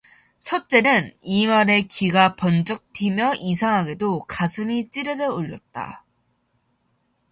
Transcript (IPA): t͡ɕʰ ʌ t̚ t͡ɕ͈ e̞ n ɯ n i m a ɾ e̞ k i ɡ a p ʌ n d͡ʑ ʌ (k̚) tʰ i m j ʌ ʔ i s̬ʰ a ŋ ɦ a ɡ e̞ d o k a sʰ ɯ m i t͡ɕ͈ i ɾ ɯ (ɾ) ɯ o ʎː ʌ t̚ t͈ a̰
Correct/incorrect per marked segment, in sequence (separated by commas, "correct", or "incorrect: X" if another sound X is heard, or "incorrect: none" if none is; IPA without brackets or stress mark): correct, correct